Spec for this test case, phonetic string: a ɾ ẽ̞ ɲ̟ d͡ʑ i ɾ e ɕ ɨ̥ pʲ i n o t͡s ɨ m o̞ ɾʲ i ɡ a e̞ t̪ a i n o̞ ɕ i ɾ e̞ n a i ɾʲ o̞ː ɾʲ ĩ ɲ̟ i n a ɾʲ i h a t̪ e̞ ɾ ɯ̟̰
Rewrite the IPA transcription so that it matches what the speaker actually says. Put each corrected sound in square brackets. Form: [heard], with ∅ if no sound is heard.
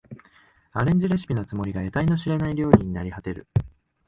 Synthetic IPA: a ɾ ẽ̞ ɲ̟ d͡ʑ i ɾ e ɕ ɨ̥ pʲ i n o t͡s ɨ m o̞ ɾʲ i ɡ a e̞ t̪ a i n o̞ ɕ i ɾ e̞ n a i ɾʲ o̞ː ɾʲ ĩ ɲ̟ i n a ɾʲ i h a t̪ e̞ ɾ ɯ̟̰